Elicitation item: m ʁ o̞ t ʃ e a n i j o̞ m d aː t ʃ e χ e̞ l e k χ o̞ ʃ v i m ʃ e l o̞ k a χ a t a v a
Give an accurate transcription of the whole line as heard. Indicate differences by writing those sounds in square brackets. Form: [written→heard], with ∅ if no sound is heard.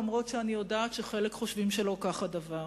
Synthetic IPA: m ʁ o̞ t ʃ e a n i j o̞ [m→∅] d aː t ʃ e χ e̞ l e k χ o̞ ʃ v i m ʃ e l o̞ k a χ a [t→d] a v a